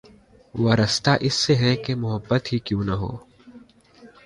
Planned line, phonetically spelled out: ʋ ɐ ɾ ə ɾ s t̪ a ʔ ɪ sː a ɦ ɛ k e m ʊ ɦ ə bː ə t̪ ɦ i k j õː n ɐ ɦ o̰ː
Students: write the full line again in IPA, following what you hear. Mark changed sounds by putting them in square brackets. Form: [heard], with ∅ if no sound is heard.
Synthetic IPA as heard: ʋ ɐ ɾ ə [∅] s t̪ a ʔ ɪ sː [e] ɦ ɛ k e m ʊ ɦ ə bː ə t̪ ɦ i k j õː n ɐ ɦ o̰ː